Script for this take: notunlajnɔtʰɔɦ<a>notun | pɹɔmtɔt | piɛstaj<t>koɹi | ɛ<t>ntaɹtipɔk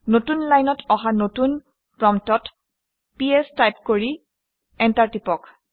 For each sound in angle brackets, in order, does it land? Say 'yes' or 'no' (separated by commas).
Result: yes, no, no